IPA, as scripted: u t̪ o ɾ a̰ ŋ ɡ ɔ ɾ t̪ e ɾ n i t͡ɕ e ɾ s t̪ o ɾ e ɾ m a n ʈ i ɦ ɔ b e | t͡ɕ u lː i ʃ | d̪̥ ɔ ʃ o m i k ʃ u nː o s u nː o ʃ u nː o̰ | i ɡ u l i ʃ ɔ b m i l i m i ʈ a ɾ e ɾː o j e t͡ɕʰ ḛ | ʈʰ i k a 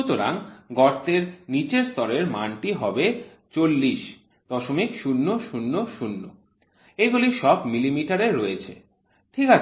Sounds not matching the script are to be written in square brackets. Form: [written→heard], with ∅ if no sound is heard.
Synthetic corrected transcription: u t̪ o ɾ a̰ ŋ ɡ ɔ ɾ t̪ e ɾ n i t͡ɕ e ɾ s t̪ [o→ɔ] ɾ e ɾ m a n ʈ i ɦ ɔ b e | t͡ɕ [u→o] lː i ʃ | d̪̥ ɔ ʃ o m i k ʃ u nː o [s→ʃ] u nː o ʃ u nː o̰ | [i→e] ɡ u l i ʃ ɔ b m i l i m i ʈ a ɾ e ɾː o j e t͡ɕʰ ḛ | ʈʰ i k a